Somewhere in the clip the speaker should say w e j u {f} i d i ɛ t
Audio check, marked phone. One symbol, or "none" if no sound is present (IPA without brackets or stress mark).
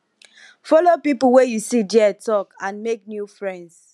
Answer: s